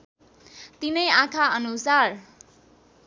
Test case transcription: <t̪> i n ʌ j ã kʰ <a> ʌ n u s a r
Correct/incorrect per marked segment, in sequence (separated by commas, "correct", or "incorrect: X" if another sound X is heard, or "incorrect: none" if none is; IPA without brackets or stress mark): correct, correct